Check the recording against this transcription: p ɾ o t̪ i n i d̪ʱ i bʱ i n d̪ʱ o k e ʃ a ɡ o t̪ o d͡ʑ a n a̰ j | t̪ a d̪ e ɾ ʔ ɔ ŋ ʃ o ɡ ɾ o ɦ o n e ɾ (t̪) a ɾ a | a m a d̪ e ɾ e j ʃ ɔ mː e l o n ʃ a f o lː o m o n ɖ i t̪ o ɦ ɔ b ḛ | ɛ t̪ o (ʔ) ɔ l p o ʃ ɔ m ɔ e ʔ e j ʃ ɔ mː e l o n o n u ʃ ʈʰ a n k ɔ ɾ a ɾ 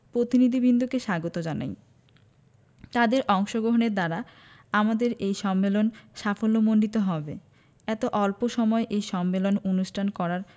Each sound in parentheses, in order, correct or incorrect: incorrect, correct

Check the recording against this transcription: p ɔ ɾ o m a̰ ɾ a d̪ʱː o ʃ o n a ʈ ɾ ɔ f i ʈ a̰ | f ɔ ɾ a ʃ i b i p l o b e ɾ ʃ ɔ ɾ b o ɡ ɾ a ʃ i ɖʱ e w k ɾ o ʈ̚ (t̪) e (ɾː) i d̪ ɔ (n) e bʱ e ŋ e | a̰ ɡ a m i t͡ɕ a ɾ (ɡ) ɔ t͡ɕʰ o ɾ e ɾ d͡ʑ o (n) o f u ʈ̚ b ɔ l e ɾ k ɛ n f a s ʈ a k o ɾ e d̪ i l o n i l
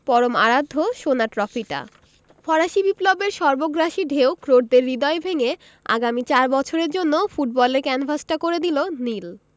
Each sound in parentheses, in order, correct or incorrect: incorrect, correct, incorrect, incorrect, incorrect

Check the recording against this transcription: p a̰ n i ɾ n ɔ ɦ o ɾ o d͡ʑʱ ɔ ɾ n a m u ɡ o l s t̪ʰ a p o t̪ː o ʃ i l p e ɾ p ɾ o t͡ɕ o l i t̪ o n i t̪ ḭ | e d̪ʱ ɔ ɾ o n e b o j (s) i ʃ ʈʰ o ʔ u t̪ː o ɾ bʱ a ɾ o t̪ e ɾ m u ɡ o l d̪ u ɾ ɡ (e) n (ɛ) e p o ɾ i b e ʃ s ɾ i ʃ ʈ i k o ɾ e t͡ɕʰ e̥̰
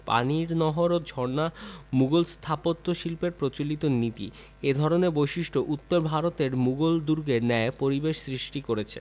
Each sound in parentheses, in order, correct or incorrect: incorrect, correct, correct

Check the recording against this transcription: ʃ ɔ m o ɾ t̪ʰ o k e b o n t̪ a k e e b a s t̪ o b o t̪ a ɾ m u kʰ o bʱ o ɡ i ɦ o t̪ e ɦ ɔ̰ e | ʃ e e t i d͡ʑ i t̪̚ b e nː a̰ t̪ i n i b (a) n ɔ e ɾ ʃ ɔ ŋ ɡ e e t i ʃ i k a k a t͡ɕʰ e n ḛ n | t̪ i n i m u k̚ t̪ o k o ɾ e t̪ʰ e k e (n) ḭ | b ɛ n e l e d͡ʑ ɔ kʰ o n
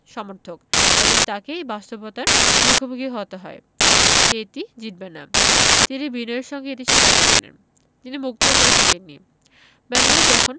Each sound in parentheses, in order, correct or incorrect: incorrect, incorrect

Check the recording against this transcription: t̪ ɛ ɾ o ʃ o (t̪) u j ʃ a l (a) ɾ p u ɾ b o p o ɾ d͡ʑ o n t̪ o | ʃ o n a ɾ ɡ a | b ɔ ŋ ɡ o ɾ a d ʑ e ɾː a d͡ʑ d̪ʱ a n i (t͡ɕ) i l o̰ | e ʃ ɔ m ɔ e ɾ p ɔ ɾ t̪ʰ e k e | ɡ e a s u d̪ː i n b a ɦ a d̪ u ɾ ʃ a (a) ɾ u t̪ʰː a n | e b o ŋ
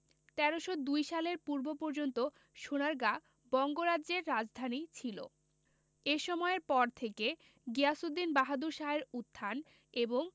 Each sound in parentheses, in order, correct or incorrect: incorrect, incorrect, incorrect, incorrect

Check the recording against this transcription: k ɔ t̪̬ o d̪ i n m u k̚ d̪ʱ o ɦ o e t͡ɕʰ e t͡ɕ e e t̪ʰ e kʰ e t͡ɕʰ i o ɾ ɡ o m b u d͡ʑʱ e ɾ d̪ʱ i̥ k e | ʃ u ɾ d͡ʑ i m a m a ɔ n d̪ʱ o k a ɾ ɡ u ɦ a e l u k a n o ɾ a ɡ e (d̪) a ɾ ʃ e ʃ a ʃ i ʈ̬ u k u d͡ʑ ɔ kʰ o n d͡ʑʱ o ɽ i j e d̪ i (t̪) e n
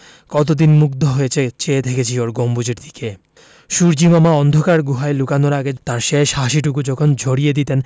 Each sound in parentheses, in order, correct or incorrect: incorrect, correct

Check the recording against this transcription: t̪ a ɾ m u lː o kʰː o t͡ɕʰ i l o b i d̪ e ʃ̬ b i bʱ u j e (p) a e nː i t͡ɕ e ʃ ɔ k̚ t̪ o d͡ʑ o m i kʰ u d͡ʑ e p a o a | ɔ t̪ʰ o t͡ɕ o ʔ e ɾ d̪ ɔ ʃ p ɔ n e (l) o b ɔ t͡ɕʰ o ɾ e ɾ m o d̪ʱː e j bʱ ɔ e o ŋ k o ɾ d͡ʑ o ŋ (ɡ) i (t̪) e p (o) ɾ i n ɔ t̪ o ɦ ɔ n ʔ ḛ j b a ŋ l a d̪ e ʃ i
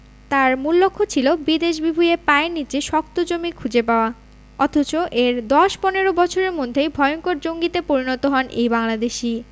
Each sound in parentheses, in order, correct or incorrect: correct, incorrect, correct, correct, correct

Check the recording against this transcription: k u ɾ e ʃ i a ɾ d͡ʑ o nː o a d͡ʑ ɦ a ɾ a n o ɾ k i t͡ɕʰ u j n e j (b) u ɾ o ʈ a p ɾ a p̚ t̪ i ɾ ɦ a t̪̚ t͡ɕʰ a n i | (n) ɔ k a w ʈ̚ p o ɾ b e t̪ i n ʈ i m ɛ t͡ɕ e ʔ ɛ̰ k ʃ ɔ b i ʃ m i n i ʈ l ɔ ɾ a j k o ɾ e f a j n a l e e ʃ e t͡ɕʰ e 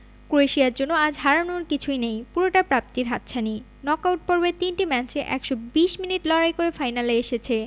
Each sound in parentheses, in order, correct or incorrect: incorrect, correct

